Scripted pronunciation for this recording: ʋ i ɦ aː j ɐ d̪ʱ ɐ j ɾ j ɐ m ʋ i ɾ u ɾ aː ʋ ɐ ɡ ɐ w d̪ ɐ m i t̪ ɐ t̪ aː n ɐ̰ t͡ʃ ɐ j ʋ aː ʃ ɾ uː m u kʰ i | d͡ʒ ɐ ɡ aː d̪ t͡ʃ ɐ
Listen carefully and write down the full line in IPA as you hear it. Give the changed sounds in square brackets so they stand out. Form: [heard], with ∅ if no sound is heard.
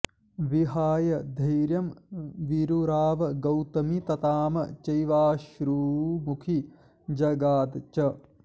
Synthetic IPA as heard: ʋ i ɦ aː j ɐ d̪ʱ ɐ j ɾ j ɐ m ʋ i ɾ u ɾ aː ʋ ɐ ɡ ɐ w [t̪] ɐ m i t̪ ɐ t̪ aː [m] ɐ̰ t͡ʃ ɐ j ʋ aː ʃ ɾ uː m u kʰ i | d͡ʒ ɐ ɡ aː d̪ t͡ʃ ɐ